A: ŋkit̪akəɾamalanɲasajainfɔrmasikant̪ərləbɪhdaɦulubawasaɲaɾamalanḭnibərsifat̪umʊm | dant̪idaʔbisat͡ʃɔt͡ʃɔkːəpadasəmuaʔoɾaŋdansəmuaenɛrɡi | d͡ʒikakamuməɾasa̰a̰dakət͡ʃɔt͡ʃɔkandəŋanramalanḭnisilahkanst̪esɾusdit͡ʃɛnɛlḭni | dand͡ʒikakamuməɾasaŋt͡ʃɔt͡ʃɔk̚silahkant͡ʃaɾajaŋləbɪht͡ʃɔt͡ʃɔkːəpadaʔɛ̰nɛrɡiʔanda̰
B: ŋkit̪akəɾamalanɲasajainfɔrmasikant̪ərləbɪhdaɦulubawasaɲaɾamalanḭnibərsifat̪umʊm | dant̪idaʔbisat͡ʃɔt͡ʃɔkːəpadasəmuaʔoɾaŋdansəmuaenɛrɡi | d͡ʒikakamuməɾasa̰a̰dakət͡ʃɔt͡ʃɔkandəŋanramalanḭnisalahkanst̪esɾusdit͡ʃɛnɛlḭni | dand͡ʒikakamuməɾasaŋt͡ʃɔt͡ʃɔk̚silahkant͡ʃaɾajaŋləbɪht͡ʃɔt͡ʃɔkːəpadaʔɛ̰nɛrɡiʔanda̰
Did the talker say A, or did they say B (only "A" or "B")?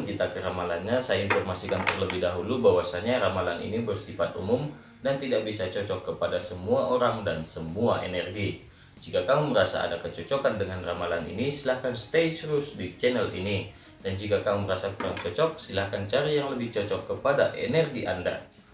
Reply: A